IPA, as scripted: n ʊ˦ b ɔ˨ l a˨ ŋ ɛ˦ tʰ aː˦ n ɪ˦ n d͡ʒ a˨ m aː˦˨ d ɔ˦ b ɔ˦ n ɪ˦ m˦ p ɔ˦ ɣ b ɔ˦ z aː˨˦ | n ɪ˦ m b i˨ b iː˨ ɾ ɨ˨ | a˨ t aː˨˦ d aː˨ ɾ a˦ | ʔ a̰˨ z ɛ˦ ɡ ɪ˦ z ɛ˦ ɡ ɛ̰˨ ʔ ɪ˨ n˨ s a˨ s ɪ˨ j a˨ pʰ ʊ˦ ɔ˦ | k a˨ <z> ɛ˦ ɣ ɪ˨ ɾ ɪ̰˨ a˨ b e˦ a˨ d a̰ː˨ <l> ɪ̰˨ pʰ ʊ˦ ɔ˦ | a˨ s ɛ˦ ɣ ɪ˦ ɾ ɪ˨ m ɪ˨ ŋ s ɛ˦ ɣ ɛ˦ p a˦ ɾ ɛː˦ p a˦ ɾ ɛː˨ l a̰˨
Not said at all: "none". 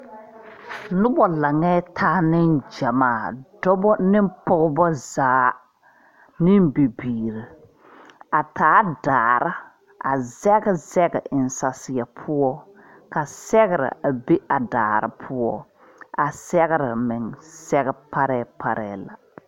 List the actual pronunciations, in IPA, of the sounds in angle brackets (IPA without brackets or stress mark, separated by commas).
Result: s, ɾ